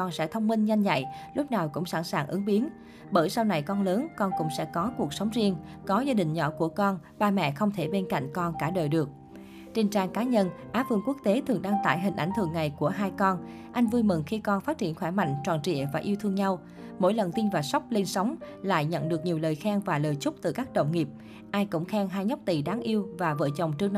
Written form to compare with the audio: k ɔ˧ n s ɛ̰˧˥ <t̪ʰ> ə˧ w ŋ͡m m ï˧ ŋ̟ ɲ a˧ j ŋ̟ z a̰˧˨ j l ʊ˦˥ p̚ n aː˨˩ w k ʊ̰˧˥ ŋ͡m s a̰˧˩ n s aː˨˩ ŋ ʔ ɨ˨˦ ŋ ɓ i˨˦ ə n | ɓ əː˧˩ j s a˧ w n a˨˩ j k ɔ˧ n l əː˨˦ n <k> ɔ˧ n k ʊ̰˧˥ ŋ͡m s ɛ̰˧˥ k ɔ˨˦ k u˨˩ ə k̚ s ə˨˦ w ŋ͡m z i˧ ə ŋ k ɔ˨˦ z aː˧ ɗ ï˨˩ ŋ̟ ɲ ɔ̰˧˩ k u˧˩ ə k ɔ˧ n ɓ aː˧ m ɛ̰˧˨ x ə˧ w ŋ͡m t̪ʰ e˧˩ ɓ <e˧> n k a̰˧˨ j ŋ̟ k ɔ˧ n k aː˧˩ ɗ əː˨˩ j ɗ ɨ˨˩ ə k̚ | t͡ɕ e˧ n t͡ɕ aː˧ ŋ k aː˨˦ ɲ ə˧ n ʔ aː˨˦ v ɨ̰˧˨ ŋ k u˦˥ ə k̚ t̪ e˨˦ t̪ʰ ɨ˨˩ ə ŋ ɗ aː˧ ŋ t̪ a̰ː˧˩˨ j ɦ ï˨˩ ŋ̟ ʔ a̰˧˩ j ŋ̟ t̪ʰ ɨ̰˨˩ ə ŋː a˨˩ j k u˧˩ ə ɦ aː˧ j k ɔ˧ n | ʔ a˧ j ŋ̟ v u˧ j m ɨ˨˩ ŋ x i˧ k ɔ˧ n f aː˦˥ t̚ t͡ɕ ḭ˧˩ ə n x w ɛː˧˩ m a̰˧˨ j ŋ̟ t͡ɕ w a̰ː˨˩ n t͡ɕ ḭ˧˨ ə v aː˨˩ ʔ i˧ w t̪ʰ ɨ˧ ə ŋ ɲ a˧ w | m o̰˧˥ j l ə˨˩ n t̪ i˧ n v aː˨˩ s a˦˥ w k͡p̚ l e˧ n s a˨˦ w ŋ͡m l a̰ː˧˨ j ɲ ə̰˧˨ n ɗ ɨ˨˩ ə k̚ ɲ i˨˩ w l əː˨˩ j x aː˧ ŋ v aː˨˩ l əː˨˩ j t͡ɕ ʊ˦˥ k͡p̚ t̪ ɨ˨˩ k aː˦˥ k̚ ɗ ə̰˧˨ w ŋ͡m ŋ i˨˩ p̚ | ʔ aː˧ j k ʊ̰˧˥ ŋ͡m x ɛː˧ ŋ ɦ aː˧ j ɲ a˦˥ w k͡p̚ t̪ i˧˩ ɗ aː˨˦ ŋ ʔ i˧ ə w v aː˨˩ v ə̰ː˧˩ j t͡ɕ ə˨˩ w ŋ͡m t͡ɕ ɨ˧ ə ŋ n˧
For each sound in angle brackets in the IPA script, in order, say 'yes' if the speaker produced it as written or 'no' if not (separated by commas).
yes, yes, yes